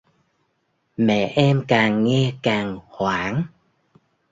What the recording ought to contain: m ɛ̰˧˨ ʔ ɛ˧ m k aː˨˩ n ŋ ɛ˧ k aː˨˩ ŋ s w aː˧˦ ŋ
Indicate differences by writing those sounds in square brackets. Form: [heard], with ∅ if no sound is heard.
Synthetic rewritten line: m ɛ̰˧˨ ʔ ɛ˧ m k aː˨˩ [ŋ] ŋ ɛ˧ k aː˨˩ ŋ [h] w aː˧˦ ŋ